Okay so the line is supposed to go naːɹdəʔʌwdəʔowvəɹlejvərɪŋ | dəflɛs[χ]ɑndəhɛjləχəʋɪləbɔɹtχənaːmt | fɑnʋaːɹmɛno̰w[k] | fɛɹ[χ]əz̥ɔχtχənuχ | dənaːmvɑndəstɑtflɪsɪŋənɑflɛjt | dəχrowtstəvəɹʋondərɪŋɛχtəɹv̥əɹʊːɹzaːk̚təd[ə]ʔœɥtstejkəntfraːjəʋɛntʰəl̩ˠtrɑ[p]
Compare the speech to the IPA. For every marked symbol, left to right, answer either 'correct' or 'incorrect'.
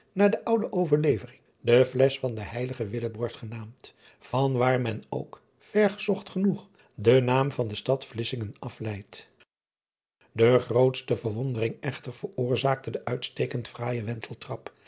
incorrect, correct, correct, correct, correct

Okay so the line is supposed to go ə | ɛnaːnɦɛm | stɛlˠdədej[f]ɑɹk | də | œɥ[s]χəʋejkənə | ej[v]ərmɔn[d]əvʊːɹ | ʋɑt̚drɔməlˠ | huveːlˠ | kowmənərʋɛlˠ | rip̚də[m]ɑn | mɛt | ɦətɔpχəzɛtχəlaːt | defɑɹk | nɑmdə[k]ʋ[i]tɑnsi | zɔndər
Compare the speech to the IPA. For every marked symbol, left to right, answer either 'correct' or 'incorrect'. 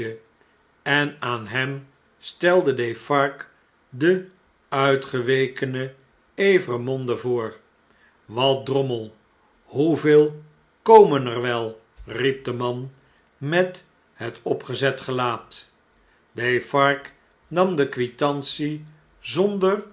correct, incorrect, correct, correct, correct, correct, correct

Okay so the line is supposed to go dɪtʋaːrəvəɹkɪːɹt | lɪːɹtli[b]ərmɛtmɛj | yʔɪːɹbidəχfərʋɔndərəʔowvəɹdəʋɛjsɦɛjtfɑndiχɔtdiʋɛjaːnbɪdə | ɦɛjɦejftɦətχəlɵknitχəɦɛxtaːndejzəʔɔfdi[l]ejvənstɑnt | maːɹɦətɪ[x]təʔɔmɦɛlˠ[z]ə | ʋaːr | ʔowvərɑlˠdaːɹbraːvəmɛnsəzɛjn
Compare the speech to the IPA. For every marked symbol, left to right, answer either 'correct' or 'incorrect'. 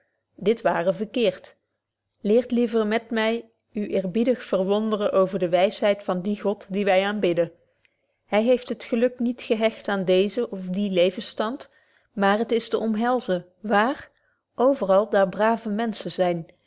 incorrect, correct, incorrect, correct

